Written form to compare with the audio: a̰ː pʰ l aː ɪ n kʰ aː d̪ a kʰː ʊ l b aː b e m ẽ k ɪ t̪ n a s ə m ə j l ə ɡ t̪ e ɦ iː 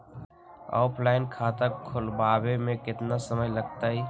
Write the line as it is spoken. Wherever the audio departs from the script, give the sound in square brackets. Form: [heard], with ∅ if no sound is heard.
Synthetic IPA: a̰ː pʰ l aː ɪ n kʰ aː [t̪] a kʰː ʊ l b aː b e m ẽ k ɪ t̪ n a s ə m ə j l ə ɡ t̪ [a] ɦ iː